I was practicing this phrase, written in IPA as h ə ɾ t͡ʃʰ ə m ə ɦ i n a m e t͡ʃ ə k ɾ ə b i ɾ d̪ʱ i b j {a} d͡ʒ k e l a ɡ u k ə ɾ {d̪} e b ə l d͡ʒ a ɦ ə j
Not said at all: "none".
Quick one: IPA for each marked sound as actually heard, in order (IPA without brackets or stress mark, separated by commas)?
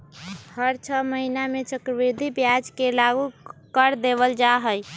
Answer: a, d̪